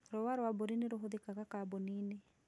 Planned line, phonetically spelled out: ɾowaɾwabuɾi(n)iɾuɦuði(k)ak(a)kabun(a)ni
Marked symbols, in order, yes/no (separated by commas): yes, yes, yes, no